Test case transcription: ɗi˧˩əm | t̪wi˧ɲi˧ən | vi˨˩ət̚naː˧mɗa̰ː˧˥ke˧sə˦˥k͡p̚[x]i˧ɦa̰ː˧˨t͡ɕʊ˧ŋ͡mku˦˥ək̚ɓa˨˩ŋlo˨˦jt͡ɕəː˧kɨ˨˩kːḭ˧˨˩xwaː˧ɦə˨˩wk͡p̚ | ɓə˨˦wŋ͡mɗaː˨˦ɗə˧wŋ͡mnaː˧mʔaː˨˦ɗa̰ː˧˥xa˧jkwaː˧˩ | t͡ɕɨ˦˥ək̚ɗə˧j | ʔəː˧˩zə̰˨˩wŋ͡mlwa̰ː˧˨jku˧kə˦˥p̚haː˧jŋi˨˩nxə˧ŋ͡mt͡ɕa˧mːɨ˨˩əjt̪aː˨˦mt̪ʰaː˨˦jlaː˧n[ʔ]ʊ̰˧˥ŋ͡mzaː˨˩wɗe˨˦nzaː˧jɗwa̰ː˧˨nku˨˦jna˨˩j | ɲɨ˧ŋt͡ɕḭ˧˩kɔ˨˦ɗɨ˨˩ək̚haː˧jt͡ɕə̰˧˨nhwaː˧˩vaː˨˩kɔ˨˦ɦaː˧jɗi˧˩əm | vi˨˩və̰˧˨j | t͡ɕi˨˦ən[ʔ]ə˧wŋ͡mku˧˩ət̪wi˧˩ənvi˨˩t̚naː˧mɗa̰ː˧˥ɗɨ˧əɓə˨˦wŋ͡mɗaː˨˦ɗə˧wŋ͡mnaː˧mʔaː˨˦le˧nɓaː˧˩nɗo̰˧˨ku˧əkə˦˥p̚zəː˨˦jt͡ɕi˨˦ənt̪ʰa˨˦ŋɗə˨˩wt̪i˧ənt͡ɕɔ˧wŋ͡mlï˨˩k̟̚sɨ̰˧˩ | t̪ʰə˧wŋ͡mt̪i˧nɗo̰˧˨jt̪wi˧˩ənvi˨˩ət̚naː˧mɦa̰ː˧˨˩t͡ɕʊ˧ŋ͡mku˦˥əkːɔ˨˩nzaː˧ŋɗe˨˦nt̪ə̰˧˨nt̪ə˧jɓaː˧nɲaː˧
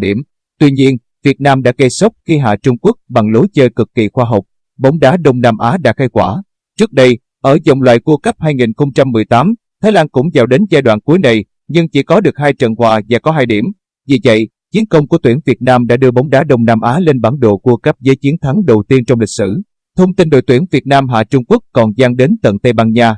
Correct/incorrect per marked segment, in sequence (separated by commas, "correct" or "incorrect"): correct, incorrect, incorrect